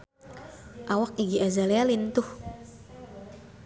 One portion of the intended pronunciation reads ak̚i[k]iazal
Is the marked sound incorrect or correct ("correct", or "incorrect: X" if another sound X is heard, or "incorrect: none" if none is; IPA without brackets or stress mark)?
incorrect: ɡ